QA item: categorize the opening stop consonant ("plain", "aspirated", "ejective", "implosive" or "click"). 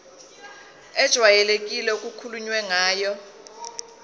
plain